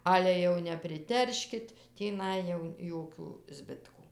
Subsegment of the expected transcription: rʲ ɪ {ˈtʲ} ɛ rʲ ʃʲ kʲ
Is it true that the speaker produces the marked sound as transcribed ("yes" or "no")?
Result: yes